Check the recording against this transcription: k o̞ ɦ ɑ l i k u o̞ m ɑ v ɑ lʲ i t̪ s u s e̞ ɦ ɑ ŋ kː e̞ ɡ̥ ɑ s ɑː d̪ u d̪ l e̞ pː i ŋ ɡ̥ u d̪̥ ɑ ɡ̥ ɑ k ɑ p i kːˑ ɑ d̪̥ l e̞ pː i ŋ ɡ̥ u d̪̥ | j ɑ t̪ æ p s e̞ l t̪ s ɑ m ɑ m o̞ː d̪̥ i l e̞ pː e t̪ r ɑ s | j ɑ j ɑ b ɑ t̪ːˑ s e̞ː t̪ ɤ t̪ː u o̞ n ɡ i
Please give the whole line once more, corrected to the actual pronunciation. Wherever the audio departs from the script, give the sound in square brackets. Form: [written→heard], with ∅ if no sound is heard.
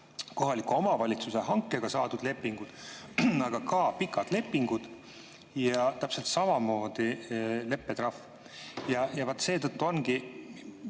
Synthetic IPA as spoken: k o̞ ɦ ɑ l i k u o̞ m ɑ v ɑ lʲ i t̪ s u s e̞ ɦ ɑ ŋ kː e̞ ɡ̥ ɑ s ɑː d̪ u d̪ l e̞ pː i ŋ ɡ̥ u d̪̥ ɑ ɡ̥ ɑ k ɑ p i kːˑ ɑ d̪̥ l e̞ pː i ŋ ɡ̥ u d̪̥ | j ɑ t̪ æ p s e̞ l t̪ s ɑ m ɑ m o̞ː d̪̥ i l e̞ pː e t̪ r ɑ [s→f] | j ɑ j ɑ [b→v] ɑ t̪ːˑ s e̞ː t̪ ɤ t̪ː u o̞ n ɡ i